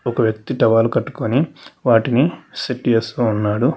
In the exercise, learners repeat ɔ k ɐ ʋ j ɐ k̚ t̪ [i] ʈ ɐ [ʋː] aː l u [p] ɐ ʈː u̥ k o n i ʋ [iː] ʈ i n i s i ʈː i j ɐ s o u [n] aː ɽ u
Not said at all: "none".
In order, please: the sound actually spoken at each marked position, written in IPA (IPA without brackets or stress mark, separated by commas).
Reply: i, ʋ, k, aː, nː